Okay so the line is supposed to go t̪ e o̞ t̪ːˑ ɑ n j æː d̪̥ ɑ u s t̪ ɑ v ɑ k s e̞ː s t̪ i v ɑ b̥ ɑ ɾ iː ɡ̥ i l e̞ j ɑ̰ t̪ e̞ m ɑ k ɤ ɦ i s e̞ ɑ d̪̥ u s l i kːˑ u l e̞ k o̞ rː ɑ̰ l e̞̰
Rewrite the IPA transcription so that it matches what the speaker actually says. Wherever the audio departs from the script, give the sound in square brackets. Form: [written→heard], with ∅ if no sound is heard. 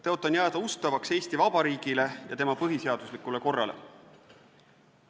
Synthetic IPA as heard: t̪ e o̞ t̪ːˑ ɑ n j æː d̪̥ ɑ u s t̪ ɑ v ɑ k s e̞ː s t̪ i v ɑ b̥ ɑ ɾ iː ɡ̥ i l e̞ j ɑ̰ t̪ e̞ m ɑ [k→p] ɤ ɦ i s e̞ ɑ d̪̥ u s l i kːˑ u l e̞ k o̞ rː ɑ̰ l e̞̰